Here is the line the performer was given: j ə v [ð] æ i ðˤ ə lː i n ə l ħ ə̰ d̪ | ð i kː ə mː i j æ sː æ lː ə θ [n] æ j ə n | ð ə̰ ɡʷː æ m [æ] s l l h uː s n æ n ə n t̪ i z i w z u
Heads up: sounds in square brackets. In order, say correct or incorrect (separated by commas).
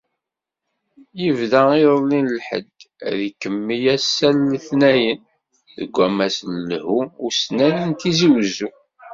correct, correct, correct